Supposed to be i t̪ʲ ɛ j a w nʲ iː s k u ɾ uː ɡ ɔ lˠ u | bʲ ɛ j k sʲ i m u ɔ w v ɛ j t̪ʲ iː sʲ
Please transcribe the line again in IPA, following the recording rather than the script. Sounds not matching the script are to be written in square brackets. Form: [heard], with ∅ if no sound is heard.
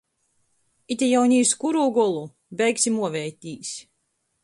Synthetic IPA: i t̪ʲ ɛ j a w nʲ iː s k u ɾ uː ɡ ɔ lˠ u | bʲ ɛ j k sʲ i m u ɔ [∅] v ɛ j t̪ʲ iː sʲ